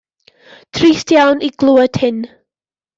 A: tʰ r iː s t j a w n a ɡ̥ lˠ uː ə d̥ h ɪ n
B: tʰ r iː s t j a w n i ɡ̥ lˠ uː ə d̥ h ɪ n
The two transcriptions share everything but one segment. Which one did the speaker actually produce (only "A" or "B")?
B